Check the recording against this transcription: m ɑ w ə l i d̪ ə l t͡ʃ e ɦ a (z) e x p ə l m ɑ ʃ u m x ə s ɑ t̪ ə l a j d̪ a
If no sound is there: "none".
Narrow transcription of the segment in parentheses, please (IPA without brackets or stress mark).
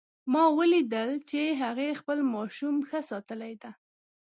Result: ɣ